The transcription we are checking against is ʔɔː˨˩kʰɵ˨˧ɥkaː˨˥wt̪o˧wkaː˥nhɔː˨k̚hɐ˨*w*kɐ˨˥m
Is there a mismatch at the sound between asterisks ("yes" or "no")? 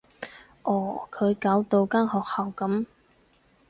no